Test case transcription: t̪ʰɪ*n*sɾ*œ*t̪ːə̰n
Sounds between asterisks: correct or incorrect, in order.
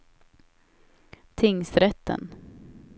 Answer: incorrect, incorrect

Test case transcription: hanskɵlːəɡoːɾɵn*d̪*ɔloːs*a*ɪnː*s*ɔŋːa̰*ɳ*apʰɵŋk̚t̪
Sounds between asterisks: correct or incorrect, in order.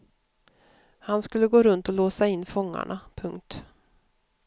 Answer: incorrect, correct, incorrect, correct

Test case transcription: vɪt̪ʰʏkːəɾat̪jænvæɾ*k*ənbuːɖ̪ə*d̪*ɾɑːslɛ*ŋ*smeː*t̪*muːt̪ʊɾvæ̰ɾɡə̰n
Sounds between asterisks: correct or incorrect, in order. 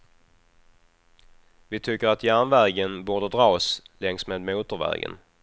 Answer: incorrect, correct, correct, incorrect

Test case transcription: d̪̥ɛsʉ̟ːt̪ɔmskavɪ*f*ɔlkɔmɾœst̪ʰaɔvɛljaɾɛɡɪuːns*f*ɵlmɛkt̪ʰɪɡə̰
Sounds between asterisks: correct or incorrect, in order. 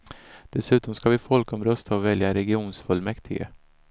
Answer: correct, correct

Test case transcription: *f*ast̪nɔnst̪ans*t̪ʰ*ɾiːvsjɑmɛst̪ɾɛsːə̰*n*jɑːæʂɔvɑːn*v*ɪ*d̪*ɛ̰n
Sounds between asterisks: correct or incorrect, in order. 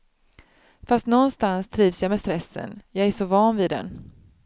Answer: correct, correct, correct, correct, correct

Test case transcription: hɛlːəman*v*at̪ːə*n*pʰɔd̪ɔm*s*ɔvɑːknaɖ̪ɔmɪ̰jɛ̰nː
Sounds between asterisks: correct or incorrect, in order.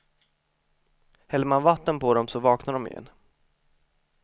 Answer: correct, correct, correct

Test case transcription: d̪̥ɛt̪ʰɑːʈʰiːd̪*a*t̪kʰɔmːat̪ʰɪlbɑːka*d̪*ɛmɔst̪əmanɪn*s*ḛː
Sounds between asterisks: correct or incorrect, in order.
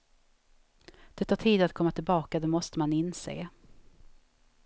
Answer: correct, correct, correct

